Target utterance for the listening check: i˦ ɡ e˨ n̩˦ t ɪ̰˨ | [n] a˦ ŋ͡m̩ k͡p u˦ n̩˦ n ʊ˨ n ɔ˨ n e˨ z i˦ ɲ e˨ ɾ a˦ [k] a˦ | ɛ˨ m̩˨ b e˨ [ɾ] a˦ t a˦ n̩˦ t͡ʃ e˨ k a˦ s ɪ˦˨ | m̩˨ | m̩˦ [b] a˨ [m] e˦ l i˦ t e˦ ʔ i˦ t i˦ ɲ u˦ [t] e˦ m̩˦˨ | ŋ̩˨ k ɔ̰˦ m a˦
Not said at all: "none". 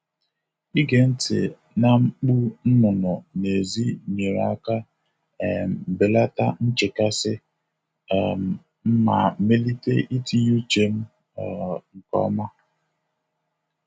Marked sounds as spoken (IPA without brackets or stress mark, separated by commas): n, k, l, m, m, t͡ʃ